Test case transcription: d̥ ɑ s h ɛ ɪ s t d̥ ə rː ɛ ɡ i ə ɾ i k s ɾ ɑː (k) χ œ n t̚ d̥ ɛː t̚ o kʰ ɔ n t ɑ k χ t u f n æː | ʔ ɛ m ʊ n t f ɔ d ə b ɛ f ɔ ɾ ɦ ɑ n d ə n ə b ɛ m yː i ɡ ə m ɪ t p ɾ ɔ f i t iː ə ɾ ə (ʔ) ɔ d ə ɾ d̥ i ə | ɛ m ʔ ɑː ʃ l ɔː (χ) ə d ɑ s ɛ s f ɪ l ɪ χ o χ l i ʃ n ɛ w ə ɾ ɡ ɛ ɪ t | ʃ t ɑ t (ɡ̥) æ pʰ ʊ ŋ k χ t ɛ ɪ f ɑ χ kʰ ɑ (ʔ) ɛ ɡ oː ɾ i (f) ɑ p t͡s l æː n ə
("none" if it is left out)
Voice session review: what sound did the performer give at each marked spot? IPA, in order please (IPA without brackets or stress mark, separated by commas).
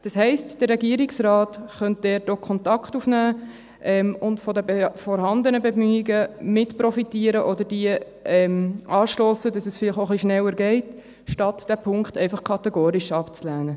t, ʔ, s, d̥, t, ʃ